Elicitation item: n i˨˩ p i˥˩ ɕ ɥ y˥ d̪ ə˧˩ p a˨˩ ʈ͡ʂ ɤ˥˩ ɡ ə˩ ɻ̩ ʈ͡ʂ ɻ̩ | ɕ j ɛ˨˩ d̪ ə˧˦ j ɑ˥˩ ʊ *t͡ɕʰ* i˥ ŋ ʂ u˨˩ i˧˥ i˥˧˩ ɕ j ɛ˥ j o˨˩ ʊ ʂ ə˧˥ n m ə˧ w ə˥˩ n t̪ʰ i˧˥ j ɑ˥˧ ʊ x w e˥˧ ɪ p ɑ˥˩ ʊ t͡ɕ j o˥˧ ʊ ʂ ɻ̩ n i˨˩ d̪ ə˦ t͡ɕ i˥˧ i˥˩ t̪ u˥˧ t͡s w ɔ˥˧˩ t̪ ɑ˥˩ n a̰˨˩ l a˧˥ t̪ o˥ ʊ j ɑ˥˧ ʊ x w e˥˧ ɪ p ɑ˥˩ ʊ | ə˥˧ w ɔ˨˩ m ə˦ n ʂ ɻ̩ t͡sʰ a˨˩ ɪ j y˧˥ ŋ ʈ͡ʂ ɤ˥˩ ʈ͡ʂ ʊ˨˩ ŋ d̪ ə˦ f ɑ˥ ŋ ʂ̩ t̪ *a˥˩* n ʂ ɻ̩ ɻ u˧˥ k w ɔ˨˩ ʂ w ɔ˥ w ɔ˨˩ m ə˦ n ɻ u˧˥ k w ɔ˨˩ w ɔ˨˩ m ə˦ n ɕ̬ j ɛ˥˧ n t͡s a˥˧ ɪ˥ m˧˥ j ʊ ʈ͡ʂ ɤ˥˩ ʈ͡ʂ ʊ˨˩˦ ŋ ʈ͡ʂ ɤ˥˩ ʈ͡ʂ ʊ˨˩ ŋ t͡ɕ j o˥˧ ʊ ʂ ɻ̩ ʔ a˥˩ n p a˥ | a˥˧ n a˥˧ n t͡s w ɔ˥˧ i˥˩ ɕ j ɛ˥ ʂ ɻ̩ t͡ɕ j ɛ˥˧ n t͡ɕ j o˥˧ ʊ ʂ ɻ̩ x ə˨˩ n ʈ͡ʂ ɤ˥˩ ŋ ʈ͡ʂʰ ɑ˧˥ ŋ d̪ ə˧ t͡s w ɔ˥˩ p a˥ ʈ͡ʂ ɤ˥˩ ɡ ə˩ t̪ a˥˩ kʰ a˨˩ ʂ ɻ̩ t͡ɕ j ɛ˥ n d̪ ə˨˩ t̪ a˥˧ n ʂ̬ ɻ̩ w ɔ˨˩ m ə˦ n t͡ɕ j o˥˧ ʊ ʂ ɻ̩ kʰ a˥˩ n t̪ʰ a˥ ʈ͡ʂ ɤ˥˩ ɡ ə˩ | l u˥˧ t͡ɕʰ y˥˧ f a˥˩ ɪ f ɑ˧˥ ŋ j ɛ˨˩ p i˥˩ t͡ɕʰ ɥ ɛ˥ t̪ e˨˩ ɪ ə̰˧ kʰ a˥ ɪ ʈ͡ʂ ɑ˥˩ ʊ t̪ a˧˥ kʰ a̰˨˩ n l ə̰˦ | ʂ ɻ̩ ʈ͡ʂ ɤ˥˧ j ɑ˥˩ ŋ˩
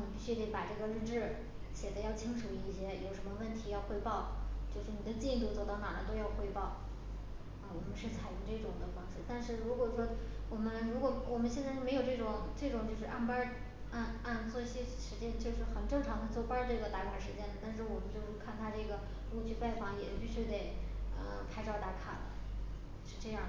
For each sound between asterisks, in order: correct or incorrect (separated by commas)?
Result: correct, incorrect